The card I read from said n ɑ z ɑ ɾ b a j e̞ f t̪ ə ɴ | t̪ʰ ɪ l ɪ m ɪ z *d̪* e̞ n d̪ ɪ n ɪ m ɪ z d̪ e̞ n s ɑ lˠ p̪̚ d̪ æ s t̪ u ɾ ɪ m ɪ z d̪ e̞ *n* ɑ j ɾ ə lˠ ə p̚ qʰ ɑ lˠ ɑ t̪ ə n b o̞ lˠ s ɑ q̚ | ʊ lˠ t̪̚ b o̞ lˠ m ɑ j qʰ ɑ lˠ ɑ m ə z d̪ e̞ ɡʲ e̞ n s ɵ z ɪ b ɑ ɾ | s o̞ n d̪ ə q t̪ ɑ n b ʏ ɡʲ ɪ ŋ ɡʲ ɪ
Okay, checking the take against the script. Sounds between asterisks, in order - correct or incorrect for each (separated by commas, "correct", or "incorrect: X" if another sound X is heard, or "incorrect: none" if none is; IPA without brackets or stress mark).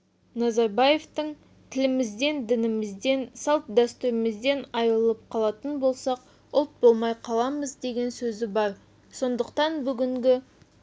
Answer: correct, correct